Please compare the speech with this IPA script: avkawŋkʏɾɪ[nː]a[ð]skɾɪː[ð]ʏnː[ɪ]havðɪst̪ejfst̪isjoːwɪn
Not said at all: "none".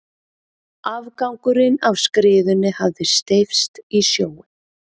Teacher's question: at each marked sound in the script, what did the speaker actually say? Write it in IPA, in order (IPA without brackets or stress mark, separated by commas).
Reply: n, v, ð, ɪ